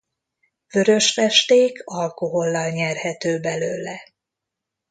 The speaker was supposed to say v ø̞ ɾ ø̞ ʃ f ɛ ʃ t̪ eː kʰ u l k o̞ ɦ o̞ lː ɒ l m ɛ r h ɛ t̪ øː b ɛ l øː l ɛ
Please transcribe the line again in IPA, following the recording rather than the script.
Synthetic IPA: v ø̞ ɾ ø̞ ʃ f ɛ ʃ t̪ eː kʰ ɒ l k o̞ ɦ o̞ lː ɒ l ɲ ɛ r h ɛ t̪ øː b ɛ l øː l ɛ